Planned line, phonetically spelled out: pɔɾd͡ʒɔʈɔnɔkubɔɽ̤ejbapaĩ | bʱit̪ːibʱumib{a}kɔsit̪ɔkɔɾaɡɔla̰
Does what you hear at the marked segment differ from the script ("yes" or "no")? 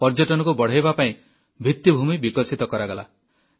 yes